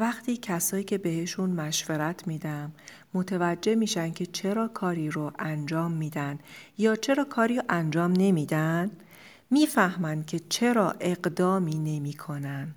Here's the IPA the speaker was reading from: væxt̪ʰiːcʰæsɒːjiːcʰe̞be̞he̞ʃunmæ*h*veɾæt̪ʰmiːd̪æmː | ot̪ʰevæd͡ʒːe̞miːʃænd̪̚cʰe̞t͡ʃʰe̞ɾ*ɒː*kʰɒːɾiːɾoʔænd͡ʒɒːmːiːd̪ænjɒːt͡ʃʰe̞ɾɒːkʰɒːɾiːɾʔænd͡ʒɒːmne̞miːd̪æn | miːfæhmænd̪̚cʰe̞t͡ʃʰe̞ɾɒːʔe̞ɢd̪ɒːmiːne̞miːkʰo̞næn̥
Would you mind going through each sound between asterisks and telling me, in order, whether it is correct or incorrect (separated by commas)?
incorrect, correct